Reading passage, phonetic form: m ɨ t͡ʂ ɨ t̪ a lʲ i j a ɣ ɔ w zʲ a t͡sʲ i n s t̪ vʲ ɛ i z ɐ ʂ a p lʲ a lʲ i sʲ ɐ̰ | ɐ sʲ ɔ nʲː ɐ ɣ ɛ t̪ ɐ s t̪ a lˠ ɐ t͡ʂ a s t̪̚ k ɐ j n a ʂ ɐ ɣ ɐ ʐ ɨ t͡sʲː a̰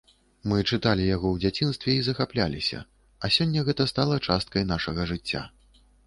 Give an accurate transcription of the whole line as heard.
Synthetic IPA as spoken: m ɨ t͡ʂ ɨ t̪ a lʲ i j a ɣ ɔ w d͡zʲ a t͡sʲ i n s t̪ vʲ ɛ i z ɐ x a p lʲ a lʲ i sʲ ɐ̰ | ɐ sʲ ɔ nʲː ɐ ɣ ɛ t̪ ɐ s t̪ a lˠ ɐ t͡ʂ a s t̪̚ k ɐ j n a ʂ ɐ ɣ ɐ ʐ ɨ t͡sʲː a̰